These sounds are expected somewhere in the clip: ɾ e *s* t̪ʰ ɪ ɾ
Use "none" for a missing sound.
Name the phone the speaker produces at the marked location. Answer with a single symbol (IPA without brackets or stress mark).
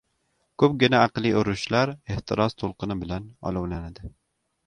h